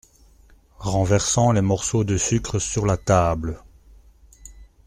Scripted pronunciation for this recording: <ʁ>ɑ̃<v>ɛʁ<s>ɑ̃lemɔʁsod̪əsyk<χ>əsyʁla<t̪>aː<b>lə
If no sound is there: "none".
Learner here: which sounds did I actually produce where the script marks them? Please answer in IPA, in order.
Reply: ʁ, v, s, χ, t̪, b

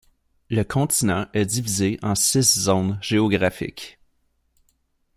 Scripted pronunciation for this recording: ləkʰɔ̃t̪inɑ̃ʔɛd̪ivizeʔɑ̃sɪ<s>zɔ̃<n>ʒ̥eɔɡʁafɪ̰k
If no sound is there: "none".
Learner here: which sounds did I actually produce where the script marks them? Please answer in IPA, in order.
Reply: s, n

